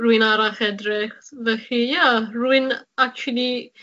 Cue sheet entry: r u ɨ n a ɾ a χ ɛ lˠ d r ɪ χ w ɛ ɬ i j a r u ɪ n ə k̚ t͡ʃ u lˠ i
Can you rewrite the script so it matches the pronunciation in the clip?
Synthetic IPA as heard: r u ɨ n a ɾ a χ ɛ d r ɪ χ v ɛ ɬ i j a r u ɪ n a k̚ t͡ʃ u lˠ i